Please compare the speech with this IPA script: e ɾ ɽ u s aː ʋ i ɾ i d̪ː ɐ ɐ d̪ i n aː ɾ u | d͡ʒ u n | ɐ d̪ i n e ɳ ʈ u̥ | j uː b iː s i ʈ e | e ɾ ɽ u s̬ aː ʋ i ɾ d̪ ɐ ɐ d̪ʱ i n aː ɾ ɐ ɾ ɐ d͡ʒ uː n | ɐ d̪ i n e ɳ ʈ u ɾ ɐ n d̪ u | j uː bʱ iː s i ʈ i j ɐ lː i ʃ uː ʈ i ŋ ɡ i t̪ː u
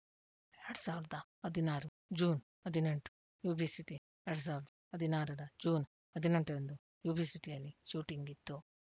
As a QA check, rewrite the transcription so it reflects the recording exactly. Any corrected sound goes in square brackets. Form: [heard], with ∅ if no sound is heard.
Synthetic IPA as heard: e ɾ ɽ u s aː ʋ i ɾ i [d̪] ɐ ɐ d̪ i n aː ɾ u | d͡ʒ [uː] n | ɐ d̪ i n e ɳ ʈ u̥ | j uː b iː s i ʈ [i] | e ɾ ɽ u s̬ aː ʋ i ɾ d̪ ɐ ɐ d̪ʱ i n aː ɾ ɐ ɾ ɐ d͡ʒ uː n | ɐ d̪ i n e ɳ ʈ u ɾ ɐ n d̪ u | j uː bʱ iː s i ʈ i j ɐ lː i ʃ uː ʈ i ŋ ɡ i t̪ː u